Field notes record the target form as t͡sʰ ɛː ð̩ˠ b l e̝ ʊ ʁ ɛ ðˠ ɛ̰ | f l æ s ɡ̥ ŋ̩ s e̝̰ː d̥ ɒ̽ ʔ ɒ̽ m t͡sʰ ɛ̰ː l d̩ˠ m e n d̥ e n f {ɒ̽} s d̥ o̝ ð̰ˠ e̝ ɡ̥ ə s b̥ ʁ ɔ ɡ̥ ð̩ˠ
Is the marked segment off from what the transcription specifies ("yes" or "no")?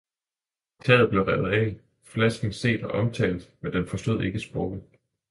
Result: no